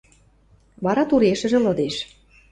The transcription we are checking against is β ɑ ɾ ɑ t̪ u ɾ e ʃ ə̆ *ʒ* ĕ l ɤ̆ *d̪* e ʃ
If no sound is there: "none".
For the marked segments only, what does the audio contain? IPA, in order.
ʒ, d̪

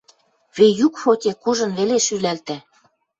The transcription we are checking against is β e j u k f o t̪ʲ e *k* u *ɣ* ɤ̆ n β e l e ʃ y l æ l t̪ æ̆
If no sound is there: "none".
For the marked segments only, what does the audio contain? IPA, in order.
k, ʒ

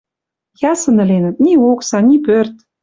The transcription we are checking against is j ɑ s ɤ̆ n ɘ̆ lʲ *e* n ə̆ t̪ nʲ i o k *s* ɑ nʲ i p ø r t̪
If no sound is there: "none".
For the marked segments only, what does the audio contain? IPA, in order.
e, s

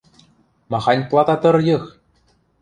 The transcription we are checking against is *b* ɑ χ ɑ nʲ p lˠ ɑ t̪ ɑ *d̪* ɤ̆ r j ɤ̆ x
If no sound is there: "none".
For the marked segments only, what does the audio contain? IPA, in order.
m, t̪

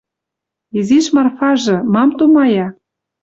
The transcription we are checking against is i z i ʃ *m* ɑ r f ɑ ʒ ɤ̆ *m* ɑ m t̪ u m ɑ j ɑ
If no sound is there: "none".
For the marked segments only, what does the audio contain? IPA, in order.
m, m

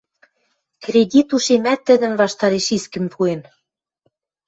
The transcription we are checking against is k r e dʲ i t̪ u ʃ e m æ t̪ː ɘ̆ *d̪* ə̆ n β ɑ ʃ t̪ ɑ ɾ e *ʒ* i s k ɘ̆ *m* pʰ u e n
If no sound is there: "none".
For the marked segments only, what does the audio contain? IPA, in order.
d̪, ʃ, m

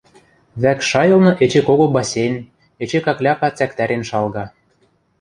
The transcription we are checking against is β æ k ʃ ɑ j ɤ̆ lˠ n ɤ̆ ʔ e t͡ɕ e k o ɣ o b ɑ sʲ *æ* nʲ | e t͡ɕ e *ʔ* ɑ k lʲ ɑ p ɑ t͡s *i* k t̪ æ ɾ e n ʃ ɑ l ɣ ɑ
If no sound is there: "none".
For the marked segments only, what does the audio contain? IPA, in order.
e, k, æ

